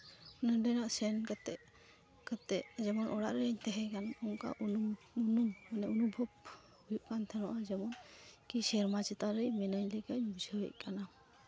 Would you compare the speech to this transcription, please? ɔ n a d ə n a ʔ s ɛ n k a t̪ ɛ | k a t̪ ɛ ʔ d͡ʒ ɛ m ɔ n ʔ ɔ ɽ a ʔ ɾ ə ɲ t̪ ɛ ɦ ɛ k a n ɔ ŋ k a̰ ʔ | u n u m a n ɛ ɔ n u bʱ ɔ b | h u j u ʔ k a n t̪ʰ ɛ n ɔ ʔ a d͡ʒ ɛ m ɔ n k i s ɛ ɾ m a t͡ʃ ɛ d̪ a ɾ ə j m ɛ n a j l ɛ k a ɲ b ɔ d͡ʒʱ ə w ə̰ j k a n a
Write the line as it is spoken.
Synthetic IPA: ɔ n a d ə n a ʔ s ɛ n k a t̪ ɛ | k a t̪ ɛ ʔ d͡ʒ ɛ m ɔ n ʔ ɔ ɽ a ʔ ɾ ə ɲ t̪ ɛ ɦ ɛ k a n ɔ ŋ k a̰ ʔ | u n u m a n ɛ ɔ n u bʱ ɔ b | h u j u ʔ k a n t̪ʰ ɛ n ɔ ʔ a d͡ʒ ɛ m ɔ n k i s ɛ ɾ m a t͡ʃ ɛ t̪ a ɾ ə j m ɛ n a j l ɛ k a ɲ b u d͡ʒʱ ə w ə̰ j k a n a